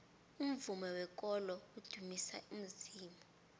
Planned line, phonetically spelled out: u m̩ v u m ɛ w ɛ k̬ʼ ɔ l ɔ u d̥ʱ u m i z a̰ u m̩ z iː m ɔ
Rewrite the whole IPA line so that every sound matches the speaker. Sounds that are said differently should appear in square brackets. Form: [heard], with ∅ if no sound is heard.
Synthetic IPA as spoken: u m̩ v u m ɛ w ɛ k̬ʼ ɔ l ɔ u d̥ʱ u m i [s] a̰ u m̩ z iː m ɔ